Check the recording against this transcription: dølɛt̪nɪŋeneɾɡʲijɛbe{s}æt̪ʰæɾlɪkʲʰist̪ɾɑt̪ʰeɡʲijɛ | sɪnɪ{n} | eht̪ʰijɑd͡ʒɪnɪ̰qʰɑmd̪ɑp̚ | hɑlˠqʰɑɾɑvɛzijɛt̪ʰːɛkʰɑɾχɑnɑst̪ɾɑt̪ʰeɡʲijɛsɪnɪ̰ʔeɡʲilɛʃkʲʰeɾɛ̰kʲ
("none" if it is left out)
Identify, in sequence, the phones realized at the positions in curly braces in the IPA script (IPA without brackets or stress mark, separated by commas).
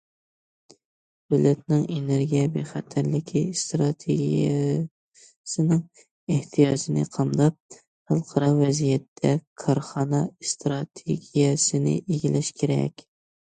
χ, ŋ